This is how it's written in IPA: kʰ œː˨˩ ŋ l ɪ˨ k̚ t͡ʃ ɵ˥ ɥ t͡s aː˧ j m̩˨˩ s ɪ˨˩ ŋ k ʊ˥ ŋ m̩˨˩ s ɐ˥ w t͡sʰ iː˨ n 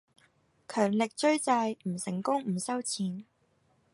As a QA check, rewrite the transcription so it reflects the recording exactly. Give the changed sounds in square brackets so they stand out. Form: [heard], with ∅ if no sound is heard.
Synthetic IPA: kʰ œː˨˩ ŋ l ɪ˨ k̚ t͡ʃ ɵ˥ ɥ t͡s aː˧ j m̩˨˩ s ɪ˨˩ ŋ k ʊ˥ ŋ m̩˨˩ s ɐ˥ w t͡sʰ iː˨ n